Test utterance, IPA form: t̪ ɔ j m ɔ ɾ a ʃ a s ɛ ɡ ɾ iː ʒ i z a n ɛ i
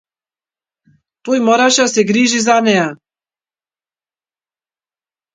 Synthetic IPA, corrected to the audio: t̪ u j m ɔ ɾ a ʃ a s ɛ ɡ ɾ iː ʒ i z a n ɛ a